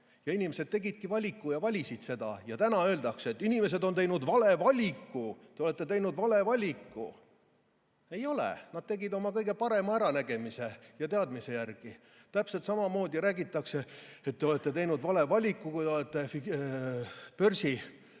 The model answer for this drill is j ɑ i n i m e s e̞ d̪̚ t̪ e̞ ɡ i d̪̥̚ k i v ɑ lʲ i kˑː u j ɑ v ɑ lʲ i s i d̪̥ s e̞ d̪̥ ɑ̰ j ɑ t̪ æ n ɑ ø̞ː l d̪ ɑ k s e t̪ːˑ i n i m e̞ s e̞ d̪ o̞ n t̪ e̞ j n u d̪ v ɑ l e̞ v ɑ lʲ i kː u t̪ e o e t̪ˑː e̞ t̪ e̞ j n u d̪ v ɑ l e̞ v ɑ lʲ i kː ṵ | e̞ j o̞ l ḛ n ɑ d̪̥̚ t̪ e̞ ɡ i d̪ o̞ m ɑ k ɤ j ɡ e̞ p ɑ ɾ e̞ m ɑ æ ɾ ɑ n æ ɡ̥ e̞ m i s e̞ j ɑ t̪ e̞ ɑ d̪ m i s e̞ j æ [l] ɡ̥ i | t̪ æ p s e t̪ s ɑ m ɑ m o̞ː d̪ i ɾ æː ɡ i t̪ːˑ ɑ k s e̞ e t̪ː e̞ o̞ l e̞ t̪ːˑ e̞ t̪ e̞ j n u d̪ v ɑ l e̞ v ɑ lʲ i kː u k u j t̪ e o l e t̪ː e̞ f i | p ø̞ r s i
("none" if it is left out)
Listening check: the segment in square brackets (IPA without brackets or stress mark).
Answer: r